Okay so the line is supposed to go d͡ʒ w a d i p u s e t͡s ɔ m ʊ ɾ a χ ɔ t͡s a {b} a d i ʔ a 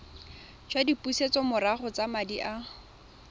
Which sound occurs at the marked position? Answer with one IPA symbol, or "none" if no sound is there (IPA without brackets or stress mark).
m